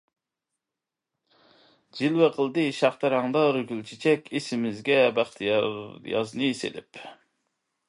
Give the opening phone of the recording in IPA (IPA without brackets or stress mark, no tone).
d͡ʒ